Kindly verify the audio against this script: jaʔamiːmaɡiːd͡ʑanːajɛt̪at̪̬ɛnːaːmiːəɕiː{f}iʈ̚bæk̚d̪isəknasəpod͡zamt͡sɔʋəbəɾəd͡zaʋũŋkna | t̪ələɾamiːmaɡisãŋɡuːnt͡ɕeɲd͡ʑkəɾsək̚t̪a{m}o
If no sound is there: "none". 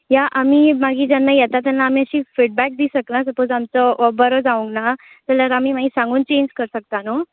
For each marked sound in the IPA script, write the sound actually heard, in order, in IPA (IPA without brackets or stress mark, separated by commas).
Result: f, n